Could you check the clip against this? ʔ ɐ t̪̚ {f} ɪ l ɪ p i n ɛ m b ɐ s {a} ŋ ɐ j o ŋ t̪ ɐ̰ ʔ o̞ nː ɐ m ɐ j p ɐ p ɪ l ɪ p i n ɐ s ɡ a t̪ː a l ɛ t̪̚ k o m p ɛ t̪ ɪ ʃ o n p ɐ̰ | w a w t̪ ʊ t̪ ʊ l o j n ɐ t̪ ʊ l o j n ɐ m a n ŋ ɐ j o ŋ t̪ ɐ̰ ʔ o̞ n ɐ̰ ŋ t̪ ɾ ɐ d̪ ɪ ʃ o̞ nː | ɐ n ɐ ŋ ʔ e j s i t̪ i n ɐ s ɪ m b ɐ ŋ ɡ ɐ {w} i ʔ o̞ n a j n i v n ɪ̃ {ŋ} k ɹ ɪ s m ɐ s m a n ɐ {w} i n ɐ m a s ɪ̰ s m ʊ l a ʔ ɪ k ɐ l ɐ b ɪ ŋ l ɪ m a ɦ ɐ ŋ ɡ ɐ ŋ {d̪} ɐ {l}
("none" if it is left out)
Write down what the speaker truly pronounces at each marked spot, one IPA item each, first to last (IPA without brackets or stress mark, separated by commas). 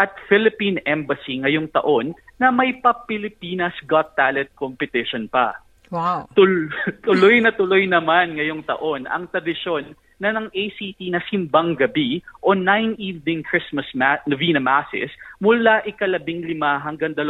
f, i, b, ŋ, v, d̪, l